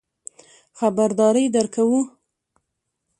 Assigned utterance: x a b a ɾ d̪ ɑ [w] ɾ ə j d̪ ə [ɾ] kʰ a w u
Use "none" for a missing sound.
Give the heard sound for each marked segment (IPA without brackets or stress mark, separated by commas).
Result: none, ɾ